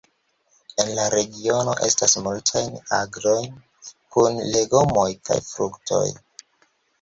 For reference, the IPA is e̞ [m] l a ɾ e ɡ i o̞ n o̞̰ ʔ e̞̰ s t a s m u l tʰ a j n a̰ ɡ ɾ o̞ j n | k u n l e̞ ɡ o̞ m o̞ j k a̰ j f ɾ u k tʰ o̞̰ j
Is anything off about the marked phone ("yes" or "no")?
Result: yes